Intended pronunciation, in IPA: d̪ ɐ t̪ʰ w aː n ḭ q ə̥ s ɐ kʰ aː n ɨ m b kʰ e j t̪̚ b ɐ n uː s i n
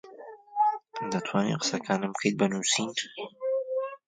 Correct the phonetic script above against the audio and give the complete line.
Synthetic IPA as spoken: d̪ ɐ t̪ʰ w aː n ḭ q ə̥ s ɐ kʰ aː n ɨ m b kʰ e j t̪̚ b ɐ n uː s i n